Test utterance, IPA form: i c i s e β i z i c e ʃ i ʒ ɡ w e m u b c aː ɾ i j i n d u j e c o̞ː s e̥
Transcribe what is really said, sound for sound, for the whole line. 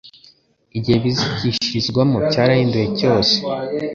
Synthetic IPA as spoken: i ɟ i h e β i z i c i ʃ i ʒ ɡ w a m u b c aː ɾ a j i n d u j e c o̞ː s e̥